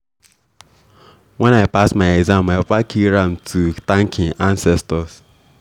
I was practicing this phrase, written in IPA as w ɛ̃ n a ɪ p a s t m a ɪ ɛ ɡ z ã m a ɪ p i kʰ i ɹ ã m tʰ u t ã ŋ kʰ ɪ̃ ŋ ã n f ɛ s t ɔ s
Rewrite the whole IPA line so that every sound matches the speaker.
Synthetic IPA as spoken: w ɛ̃ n a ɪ p a s t m a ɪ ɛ ɡ z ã m a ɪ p a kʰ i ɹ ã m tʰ u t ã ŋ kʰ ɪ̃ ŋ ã n s ɛ s t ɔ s